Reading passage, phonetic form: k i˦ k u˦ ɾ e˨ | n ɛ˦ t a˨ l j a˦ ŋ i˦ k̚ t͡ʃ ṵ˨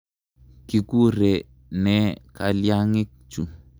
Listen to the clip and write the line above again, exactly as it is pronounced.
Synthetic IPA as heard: k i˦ k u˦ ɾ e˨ | n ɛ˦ k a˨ l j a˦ ŋ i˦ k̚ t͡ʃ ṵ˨